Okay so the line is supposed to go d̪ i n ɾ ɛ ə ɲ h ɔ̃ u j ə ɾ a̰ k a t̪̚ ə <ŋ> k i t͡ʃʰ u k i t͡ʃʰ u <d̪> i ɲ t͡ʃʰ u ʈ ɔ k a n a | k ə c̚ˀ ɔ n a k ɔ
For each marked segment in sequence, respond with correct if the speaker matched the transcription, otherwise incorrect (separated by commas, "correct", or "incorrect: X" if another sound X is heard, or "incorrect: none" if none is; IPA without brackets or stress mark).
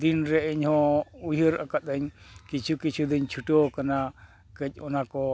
incorrect: ɲ, correct